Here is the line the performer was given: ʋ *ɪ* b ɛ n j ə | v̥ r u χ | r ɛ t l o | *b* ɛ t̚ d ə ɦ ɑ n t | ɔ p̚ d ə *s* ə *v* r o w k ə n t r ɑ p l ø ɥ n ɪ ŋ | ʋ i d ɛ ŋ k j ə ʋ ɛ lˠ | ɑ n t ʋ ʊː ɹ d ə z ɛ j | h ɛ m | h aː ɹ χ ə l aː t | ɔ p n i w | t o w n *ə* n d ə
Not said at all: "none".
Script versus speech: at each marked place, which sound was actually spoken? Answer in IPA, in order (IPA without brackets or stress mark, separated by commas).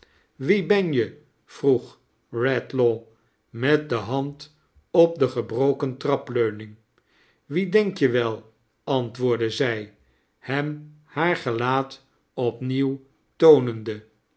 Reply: i, m, χ, b, ə